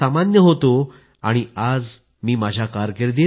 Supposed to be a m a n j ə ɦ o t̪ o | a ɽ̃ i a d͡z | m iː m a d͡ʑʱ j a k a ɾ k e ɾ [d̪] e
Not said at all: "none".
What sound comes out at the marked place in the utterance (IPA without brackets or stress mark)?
d̪